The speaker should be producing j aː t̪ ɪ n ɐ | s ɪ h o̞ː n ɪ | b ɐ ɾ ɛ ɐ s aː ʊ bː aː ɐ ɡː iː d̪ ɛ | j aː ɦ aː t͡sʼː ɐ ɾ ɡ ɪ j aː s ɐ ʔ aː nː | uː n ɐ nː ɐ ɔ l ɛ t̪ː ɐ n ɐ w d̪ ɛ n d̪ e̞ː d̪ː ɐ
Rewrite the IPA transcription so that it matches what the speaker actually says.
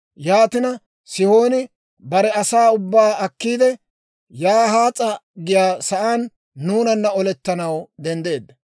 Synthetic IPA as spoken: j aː t̪ ɪ n ɐ | s ɪ h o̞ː n ɪ | b ɐ ɾ ɛ ɐ s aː ʊ bː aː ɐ kː iː d̪ ɛ | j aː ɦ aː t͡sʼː ɐ ɡ ɪ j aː s ɐ ʔ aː nː | uː n ɐ nː ɐ ɔ l ɛ t̪ː ɐ n ɐ w d̪ ɛ n d̪ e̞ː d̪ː ɐ

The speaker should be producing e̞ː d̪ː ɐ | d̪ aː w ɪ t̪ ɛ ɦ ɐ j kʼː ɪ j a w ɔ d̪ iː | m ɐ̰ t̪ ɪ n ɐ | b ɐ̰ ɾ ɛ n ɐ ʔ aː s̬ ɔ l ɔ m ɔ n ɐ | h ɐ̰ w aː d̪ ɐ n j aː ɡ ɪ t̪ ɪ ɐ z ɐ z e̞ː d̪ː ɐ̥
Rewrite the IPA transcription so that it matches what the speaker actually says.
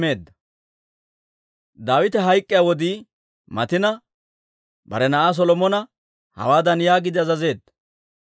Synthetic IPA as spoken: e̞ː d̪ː ɐ | d̪ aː w ɪ t̪ ɛ ɦ ɐ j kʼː ɪ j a w ɔ d̪ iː | m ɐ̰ t̪ ɪ n ɐ | b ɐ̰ ɾ ɛ n ɐ ʔ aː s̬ ɔ l ɔ m ɔ n ɐ | h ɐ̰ w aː d̪ ɐ n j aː ɡ ɪ d̪ ɪ ɐ z ɐ z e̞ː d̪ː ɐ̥

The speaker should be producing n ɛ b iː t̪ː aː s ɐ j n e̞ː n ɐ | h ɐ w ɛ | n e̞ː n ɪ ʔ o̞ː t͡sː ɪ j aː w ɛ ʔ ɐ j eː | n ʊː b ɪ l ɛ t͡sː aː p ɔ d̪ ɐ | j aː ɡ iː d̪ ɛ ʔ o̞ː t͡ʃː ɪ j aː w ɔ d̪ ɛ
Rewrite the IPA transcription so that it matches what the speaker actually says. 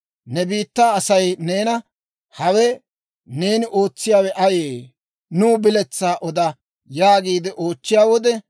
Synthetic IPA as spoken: n ɛ b iː t̪ː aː s ɐ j n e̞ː n ɐ | h ɐ w ɛ | n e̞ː n ɪ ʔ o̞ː t͡sː ɪ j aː w ɛ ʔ ɐ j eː | n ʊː b ɪ l ɛ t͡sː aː ʔ ɔ d̪ ɐ | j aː ɡ iː d̪ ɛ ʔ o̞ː t͡ʃː ɪ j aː w ɔ d̪ ɛ

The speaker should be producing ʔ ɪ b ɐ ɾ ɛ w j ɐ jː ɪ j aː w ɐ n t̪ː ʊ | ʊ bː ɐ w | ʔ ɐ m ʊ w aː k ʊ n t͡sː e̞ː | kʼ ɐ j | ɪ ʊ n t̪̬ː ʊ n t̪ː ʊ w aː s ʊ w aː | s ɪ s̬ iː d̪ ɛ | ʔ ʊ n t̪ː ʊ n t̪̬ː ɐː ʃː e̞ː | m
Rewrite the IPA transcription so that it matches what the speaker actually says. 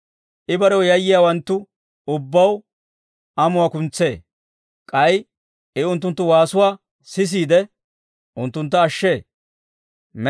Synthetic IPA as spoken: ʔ ɪ b ɐ ɾ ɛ w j ɐ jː ɪ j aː w ɐ n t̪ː ʊ | ʊ bː ɐ w | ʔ ɐ m ʊ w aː k ʊ n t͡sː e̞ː | kʼ ɐ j | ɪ ʊ n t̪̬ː ʊ n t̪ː ʊ w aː s ʊ w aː | s ɪ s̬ iː d̪ ɛ | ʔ ʊ n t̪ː ʊ n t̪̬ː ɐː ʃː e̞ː | m

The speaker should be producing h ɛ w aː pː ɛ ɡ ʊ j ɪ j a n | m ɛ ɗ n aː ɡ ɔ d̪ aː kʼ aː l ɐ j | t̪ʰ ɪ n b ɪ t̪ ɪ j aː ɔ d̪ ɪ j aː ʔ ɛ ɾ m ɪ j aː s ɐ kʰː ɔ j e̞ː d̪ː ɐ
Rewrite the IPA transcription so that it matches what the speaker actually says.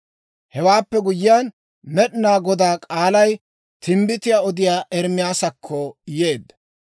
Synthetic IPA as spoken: h ɛ w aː pː ɛ ɡ ʊ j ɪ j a n | m ɛ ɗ n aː ɡ ɔ d̪ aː kʼ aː l ɐ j | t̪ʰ ɪ m b ɪ t̪ ɪ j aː ɔ d̪ ɪ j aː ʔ ɛ ɾ m ɪ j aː s ɐ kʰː ɔ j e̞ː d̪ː ɐ

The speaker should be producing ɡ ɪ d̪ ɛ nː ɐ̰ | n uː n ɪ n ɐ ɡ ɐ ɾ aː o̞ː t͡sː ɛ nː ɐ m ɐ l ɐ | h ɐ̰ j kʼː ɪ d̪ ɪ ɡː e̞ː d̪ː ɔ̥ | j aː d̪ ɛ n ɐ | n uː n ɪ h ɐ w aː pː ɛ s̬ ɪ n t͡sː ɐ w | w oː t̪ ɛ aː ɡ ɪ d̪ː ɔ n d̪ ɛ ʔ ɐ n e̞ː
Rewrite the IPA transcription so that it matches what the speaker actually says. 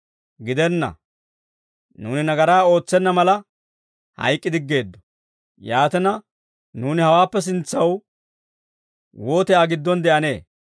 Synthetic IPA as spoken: ɡ ɪ d̪ ɛ nː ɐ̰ | n uː n ɪ n ɐ ɡ ɐ ɾ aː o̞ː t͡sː ɛ nː ɐ m ɐ l ɐ | h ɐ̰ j kʼː ɪ d̪ ɪ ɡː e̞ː d̪ː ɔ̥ | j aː t̪ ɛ n ɐ | n uː n ɪ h ɐ w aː pː ɛ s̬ ɪ n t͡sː ɐ w | w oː t̪ ɛ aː ɡ ɪ d̪ː ɔ n d̪ ɛ ʔ ɐ n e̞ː

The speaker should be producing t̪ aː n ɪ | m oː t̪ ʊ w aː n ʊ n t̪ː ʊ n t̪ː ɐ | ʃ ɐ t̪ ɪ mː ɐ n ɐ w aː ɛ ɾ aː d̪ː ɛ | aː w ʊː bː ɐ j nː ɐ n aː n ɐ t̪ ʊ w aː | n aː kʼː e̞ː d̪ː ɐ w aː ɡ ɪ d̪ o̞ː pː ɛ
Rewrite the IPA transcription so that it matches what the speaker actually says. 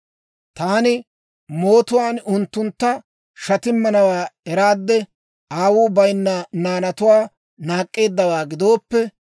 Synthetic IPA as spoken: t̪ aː n ɪ | m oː t̪ ʊ w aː n ʊ n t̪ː ʊ n t̪ː ɐ | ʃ ɐ t̪ ɪ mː ɐ n ɐ w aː ɛ ɾ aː d̪ː ɛ | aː w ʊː b ɐ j nː ɐ n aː n ɐ t̪ ʊ w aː | n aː kʼː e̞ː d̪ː ɐ w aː ɡ ɪ d̪ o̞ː pː ɛ

